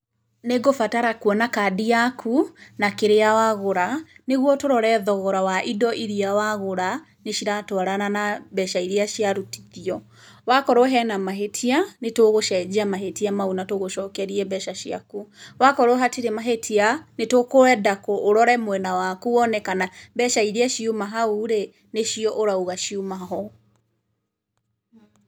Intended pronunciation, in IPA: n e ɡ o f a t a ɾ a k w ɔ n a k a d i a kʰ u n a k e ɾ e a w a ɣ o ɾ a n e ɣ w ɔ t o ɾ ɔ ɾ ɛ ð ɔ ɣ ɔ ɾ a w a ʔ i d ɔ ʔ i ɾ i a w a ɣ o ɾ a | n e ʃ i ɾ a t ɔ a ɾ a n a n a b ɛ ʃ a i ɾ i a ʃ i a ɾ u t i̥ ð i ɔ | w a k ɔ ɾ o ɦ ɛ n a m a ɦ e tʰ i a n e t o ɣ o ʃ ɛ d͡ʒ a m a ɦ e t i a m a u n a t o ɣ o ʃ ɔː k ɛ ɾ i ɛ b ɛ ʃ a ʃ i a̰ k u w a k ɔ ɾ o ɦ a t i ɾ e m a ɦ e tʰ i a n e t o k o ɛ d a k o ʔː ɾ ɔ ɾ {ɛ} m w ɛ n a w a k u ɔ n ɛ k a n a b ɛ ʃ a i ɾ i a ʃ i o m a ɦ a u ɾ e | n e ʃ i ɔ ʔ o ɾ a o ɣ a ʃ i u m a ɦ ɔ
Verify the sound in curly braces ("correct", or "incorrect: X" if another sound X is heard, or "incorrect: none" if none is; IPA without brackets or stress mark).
correct